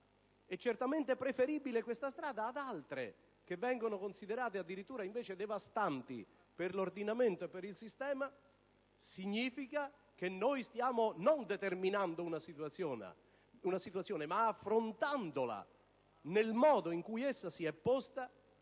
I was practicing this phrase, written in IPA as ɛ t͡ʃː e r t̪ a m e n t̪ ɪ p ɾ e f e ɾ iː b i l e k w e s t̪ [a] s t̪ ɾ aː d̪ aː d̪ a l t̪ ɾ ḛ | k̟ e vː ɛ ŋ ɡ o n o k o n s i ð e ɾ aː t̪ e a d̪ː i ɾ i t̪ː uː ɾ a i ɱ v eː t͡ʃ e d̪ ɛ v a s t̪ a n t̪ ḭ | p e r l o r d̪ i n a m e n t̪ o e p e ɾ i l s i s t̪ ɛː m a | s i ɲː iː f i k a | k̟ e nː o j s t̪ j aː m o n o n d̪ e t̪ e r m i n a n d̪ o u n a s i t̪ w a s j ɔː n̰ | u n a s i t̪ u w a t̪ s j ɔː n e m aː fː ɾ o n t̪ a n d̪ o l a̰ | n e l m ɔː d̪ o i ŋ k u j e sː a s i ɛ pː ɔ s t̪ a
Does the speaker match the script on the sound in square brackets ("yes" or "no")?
yes